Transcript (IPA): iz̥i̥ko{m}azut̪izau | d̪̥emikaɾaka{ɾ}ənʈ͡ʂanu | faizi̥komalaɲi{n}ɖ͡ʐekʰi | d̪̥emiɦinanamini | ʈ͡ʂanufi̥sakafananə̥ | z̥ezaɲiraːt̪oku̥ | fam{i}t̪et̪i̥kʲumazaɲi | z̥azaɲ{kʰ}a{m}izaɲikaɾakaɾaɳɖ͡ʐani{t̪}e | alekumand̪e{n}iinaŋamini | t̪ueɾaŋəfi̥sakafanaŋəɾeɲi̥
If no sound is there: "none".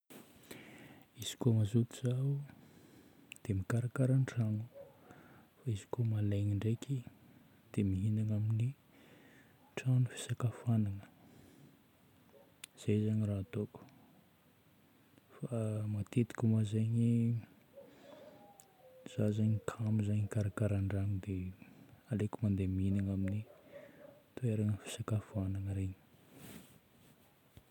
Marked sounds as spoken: m, ɾ, ɳ, a, kʰ, m, d̪, m

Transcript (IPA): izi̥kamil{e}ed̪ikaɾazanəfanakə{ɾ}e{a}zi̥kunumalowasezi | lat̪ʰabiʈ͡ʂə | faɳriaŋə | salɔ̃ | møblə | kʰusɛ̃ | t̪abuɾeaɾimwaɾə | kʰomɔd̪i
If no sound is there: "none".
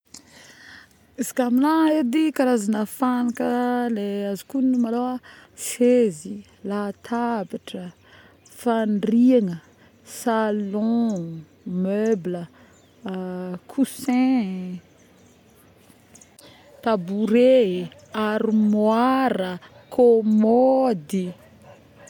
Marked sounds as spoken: a, l, a

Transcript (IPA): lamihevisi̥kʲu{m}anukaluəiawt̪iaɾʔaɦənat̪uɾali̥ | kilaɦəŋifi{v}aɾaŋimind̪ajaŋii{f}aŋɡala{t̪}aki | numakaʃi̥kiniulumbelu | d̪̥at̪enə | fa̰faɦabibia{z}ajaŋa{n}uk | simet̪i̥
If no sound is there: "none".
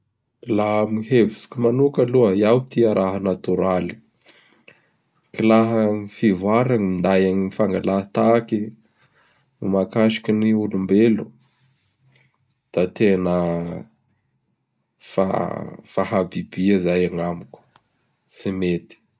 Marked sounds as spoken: m, v, f, t̪, z, m

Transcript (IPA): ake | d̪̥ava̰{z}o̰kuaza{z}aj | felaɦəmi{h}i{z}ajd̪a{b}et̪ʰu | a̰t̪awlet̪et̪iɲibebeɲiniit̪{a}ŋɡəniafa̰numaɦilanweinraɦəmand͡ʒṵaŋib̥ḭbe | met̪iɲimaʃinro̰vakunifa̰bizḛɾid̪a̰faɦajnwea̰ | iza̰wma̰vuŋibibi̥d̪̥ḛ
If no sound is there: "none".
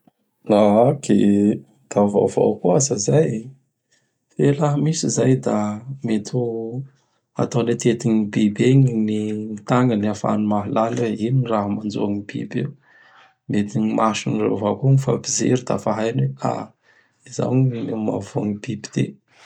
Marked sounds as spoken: v, z, s, z, m, a

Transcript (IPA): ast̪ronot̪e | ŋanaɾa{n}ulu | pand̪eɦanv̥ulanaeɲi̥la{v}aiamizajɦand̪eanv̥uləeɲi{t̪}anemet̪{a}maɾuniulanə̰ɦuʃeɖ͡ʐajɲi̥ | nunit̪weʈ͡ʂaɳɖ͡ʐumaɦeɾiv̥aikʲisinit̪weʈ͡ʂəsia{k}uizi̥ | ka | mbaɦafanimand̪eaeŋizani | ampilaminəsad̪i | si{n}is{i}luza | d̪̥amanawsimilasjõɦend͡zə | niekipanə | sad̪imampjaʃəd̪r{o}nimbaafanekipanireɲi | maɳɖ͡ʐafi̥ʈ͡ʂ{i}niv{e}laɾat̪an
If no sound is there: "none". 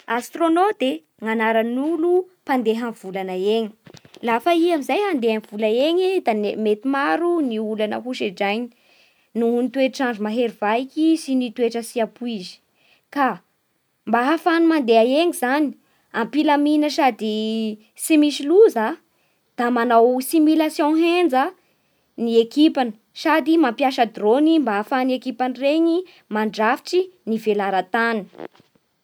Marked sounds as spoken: n, f, d̪, i, p, m, i, o, i, e

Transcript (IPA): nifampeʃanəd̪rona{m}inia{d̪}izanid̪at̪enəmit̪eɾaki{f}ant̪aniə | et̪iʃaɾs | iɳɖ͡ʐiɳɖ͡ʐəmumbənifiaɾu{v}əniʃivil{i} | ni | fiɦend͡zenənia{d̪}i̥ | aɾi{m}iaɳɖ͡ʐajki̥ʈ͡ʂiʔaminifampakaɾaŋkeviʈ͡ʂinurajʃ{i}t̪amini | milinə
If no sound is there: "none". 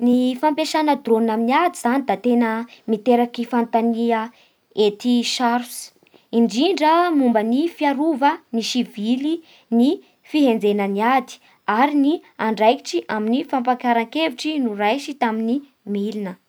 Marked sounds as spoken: m, d̪, f, v, i, d̪, n, i

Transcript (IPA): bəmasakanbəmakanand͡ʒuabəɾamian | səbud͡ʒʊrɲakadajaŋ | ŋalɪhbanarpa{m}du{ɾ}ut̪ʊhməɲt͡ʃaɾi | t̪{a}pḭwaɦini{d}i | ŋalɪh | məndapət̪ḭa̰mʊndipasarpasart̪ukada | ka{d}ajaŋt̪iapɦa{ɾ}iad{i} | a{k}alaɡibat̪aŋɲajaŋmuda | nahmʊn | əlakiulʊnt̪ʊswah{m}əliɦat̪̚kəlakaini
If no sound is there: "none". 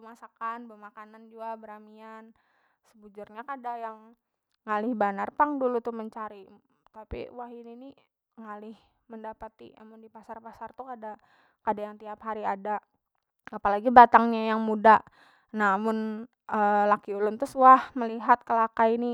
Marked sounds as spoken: ŋ, l, a, n, d, ɾ, a, p, m

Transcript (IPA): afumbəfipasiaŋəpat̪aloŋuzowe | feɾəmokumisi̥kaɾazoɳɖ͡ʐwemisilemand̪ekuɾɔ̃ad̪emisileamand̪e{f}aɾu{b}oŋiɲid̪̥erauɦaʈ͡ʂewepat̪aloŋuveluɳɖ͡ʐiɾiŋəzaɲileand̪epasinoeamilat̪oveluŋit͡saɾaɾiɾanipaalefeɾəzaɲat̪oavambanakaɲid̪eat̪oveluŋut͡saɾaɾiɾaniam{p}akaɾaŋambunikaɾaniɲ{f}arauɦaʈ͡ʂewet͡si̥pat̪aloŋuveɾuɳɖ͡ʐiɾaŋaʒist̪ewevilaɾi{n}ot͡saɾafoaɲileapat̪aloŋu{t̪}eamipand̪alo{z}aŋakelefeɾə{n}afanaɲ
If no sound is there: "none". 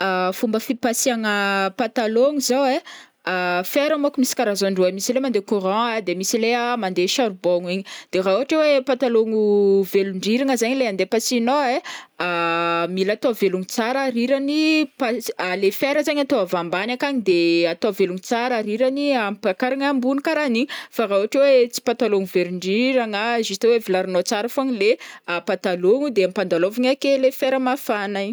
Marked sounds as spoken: ʃ, b, p, f, n, d̪, v, m

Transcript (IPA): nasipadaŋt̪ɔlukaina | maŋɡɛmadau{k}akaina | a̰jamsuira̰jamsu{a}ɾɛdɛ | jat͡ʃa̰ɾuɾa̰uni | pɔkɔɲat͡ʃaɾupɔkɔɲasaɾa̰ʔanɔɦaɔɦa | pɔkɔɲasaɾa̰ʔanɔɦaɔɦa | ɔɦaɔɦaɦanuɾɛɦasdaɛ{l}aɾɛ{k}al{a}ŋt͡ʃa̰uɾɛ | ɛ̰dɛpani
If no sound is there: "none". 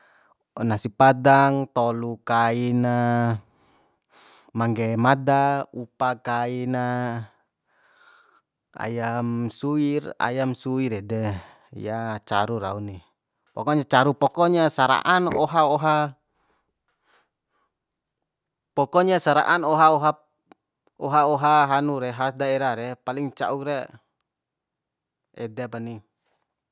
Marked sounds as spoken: p, i, ɾ, p, i

